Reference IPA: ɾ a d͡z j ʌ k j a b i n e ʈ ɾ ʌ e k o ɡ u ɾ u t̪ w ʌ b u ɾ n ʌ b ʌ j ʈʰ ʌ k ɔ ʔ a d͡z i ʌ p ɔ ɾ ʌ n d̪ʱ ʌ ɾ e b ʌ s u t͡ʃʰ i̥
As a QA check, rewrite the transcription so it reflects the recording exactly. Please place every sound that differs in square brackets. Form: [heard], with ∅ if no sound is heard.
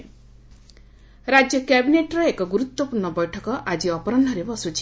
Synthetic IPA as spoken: ɾ a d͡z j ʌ k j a b i n e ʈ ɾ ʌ e k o ɡ u ɾ u t̪ w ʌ [p] u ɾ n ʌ b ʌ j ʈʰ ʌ k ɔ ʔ a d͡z i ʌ p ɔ ɾ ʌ n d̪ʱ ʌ ɾ e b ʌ s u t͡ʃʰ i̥